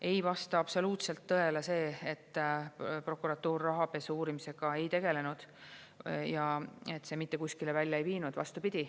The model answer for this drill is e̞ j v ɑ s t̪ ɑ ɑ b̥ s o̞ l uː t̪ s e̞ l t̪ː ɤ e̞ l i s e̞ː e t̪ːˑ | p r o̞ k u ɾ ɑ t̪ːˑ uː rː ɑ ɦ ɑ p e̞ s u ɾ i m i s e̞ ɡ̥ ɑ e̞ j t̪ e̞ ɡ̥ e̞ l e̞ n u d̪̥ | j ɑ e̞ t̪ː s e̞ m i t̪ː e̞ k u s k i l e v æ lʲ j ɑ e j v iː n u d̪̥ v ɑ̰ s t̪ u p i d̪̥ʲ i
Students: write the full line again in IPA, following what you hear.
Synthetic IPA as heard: e̞ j v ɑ s t̪ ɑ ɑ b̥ s o̞ l uː t̪ s e̞ l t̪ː ɤ e̞ l e s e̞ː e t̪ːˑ | p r o̞ k u ɾ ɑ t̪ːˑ uː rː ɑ ɦ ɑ p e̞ s uː ɾ i m i s e̞ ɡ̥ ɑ e̞ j t̪ e̞ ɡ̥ e̞ l e̞ n u d̪̥ | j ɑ e̞ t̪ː s e̞ m i t̪ː e̞ k u s k i l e v æ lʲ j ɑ e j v iː n u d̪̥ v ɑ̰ s t̪ u p i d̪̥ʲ i